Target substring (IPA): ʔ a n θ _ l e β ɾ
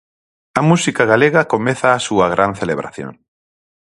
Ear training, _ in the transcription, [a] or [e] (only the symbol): e